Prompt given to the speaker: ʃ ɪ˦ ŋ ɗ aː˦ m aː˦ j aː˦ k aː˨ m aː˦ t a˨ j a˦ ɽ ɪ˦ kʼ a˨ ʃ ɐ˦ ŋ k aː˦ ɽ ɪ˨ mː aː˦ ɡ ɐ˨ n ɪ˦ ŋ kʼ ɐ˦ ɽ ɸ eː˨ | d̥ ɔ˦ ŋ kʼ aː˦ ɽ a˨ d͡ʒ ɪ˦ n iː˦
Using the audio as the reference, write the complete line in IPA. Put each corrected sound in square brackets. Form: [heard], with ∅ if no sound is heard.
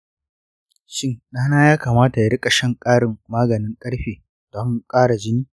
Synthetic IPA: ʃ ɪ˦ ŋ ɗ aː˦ [n] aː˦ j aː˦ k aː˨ m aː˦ t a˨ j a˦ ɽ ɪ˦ kʼ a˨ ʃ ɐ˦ ŋ [kʼ] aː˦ ɽ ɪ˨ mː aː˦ ɡ ɐ˨ n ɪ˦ ŋ kʼ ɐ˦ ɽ ɸ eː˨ | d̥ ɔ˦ ŋ kʼ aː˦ ɽ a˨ d͡ʒ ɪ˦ n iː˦